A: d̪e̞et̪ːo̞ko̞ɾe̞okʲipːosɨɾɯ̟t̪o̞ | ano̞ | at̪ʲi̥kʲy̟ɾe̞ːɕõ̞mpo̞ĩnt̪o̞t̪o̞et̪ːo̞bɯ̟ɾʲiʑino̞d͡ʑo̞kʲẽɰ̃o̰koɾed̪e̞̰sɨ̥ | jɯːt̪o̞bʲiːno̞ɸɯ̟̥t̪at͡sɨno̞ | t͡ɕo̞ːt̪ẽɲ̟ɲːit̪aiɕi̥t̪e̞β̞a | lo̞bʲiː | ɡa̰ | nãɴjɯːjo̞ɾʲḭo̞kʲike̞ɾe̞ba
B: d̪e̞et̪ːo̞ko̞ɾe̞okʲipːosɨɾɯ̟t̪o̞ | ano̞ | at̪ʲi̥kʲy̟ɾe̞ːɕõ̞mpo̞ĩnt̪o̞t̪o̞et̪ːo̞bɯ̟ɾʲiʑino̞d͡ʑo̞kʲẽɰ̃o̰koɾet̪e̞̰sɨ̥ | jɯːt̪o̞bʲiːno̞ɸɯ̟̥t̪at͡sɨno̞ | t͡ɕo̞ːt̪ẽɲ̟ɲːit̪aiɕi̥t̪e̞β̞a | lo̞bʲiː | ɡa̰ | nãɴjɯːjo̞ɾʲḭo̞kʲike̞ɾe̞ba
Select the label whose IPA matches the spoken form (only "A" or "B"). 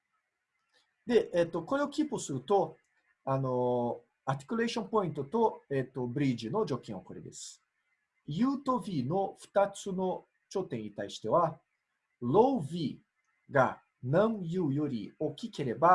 A